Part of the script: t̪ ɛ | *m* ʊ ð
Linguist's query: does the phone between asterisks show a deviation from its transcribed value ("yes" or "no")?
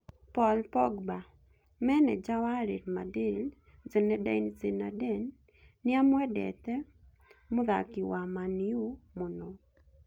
no